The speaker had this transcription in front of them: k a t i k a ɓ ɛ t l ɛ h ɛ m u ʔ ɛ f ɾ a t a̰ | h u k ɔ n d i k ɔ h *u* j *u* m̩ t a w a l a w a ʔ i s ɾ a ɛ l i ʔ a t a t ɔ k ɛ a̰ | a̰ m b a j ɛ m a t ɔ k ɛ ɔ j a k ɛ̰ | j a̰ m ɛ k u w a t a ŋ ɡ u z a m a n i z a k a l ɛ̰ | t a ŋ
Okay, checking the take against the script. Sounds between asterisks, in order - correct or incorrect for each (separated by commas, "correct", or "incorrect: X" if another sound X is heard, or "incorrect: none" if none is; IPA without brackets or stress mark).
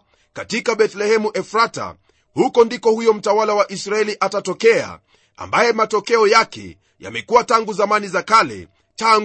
correct, incorrect: ɔ